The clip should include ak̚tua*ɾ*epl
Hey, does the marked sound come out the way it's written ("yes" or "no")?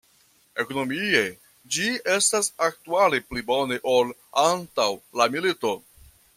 no